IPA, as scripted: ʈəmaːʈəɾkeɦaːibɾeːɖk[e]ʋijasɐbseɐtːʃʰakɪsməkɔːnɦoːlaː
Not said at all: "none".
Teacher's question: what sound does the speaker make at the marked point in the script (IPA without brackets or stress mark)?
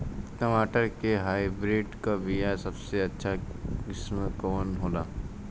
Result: a